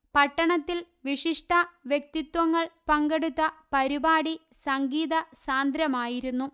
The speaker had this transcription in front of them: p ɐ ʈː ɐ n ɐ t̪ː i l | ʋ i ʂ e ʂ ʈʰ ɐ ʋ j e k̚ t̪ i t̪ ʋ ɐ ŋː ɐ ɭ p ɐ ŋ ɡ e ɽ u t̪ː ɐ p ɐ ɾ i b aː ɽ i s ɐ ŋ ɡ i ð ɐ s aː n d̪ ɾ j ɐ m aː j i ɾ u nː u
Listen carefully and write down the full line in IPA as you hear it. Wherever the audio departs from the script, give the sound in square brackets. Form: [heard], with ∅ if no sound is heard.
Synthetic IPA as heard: p ɐ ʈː ɐ [ɳ] ɐ t̪ː i l | ʋ i ʂ [i] ʂ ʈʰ ɐ ʋ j e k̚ t̪ i t̪ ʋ ɐ ŋː ɐ ɭ p ɐ ŋ ɡ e ɽ u t̪ː ɐ p ɐ ɾ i b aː ɽ i s ɐ ŋ ɡ [iː] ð ɐ s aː n d̪ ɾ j ɐ m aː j i ɾ u nː u